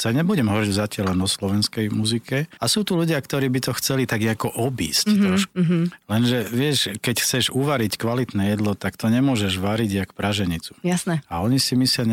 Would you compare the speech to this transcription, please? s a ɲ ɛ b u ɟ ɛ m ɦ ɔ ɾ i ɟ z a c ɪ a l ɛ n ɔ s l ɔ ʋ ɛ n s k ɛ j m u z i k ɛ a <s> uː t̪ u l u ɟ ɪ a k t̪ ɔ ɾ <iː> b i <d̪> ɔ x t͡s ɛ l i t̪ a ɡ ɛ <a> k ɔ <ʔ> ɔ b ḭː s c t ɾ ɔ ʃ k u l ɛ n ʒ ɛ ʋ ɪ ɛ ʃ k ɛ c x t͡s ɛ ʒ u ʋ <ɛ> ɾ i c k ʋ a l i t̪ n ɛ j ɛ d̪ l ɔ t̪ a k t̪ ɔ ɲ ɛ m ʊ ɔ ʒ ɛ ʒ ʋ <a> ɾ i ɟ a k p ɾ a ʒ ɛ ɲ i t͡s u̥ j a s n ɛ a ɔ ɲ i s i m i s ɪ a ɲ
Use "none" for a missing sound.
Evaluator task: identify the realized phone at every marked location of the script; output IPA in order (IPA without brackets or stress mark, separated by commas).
s, iː, t̪, a, ʔ, a, a